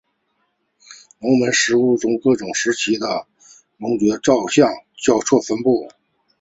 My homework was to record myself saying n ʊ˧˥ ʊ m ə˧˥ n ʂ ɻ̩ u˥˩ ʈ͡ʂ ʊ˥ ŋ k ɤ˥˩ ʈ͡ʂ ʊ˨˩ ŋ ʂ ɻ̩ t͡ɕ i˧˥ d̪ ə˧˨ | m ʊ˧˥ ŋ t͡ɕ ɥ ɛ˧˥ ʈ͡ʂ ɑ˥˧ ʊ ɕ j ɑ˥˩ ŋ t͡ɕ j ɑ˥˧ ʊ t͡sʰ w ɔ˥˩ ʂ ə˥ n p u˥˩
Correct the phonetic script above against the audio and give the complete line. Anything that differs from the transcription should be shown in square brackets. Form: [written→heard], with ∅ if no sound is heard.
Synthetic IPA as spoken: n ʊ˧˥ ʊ m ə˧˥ n ʂ ɻ̩ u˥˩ ʈ͡ʂ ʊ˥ ŋ k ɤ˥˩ ʈ͡ʂ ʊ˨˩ ŋ ʂ ɻ̩ [t͡ɕ→t͡ɕʰ] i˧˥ d̪ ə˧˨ | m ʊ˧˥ ŋ t͡ɕ ɥ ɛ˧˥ ʈ͡ʂ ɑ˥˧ ʊ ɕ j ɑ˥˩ ŋ t͡ɕ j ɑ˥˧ ʊ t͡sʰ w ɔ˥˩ [ʂ→f] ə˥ n p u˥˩